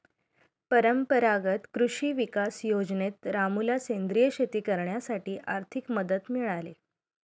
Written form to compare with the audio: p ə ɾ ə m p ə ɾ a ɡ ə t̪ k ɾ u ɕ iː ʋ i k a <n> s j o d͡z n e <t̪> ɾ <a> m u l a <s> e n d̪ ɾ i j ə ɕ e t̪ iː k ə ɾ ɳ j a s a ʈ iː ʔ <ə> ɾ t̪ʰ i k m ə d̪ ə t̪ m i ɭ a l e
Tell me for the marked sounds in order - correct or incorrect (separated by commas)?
incorrect, correct, correct, correct, incorrect